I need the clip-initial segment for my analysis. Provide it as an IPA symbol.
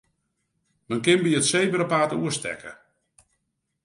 m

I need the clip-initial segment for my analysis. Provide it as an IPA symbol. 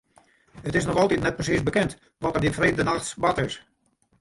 ə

